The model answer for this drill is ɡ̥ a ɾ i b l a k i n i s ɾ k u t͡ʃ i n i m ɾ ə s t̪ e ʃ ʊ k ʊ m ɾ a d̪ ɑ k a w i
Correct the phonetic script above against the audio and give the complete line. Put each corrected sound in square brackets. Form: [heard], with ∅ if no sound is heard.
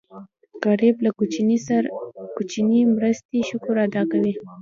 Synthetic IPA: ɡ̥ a ɾ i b l a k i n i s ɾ k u t͡ʃ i n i m ɾ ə s t̪ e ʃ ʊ k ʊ [∅] ɾ a d̪ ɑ k a w i